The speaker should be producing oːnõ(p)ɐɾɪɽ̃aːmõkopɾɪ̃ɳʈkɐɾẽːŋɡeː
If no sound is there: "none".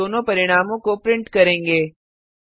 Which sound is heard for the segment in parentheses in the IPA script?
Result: p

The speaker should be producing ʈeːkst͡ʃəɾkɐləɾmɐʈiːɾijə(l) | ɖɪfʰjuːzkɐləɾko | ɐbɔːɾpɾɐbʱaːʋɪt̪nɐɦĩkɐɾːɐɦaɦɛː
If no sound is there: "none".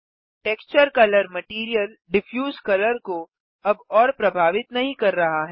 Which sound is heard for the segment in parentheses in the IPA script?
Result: l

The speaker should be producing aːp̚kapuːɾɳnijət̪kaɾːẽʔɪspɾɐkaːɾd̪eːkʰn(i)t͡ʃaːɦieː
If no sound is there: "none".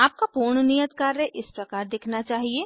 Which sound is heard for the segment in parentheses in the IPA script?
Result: a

